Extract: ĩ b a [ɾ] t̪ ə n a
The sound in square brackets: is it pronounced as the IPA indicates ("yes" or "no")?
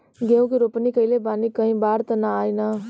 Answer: yes